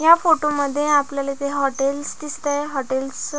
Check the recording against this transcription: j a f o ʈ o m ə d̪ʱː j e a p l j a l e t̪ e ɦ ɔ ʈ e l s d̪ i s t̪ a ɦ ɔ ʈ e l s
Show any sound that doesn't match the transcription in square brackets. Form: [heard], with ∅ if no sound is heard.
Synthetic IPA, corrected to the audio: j a f o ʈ o m ə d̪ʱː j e a p l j a l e t̪ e ɦ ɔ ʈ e l s d̪ i s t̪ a ɦ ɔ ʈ e l s